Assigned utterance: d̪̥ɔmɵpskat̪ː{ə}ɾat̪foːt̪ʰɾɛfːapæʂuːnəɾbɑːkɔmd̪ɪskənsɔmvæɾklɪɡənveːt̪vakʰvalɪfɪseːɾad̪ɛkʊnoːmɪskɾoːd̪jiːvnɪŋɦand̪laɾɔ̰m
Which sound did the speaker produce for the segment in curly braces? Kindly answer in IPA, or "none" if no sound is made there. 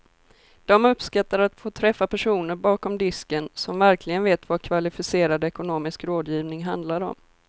a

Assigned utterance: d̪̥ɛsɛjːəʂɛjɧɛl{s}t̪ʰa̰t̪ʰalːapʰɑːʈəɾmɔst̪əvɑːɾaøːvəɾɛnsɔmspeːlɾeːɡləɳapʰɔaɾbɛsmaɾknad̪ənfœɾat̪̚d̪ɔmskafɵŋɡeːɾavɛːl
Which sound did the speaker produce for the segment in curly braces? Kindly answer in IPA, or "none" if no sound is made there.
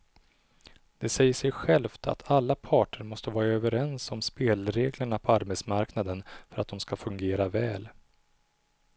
f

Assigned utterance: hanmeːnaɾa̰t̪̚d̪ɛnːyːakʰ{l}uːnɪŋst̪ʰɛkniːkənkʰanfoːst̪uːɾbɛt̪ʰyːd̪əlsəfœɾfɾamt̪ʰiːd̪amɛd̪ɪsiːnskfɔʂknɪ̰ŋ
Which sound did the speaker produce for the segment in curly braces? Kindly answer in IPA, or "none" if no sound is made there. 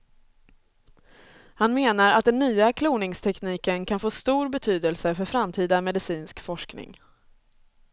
l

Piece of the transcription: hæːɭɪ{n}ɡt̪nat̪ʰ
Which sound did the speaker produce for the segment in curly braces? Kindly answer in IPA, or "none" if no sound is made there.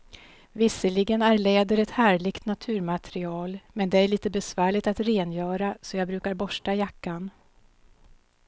none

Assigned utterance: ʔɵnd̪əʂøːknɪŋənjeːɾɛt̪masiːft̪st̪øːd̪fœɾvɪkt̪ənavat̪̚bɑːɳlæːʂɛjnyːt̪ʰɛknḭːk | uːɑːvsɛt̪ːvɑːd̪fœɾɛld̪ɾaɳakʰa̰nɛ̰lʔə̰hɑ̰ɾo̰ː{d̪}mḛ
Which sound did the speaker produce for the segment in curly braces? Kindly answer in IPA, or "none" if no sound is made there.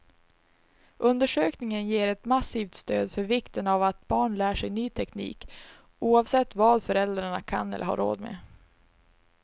d̪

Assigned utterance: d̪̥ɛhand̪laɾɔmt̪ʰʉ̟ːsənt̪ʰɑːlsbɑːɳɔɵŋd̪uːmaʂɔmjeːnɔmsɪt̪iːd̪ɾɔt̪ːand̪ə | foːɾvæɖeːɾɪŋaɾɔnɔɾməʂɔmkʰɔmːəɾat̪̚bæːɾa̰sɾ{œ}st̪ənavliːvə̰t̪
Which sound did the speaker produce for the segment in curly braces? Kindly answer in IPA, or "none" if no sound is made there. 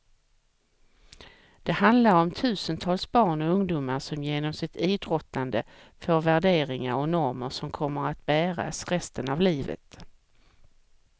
ɛ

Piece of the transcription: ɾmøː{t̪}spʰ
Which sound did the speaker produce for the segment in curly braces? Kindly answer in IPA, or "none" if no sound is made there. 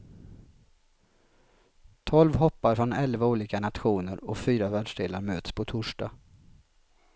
t̪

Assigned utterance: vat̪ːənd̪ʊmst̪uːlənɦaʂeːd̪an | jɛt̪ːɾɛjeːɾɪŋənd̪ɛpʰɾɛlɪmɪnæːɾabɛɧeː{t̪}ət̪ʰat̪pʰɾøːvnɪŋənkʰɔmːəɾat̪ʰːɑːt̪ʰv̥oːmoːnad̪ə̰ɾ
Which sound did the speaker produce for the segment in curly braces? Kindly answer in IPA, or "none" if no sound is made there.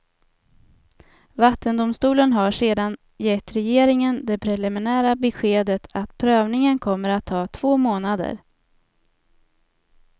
d̪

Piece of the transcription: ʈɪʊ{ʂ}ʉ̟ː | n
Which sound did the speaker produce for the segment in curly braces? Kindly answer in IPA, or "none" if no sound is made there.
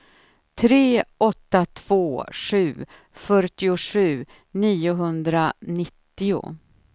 ʂ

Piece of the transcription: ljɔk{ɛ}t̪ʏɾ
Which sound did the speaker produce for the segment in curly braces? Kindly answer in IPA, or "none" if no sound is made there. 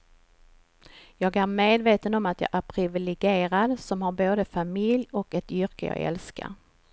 ɛ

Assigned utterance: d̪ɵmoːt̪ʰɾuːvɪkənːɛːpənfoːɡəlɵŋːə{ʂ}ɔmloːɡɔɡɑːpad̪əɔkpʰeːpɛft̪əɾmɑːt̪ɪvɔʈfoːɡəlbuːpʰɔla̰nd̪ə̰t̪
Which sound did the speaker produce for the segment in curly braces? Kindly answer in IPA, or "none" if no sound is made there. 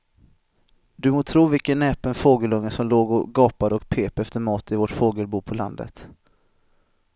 s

